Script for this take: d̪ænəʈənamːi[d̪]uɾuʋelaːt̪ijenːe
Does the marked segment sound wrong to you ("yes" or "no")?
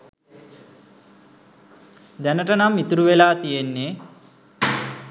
yes